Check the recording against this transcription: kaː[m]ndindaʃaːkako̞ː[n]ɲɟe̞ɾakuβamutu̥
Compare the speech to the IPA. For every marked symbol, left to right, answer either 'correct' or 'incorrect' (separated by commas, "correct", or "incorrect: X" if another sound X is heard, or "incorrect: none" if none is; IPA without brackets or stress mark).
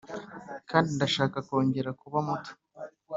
incorrect: none, incorrect: none